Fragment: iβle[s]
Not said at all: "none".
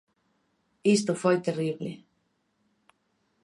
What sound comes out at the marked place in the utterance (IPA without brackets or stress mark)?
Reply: none